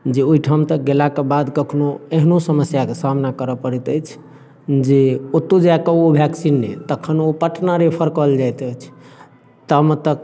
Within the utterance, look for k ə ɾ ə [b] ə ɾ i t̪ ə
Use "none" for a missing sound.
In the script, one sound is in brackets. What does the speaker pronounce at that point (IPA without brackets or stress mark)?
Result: p